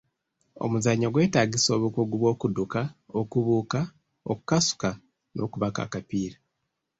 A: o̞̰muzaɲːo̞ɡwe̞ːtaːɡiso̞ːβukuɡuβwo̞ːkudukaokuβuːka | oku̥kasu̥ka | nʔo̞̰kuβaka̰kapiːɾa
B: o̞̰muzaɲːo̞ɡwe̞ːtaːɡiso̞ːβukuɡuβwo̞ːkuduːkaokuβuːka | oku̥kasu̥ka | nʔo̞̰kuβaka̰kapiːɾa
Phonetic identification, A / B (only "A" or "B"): A